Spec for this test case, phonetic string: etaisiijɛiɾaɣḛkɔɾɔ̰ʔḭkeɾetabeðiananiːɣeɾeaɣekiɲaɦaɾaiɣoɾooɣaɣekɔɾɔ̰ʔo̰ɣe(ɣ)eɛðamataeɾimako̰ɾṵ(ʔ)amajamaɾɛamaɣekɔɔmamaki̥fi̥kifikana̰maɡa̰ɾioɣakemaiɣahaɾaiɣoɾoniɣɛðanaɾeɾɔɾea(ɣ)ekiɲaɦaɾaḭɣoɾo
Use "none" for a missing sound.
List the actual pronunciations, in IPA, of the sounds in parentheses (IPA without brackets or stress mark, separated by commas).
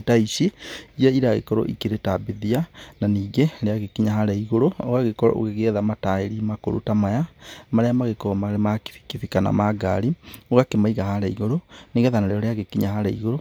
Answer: ɣ, t, ɣ